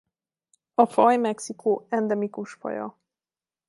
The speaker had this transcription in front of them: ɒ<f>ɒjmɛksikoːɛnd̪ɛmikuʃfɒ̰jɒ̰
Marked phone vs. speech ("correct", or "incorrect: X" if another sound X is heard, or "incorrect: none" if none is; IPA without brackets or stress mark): correct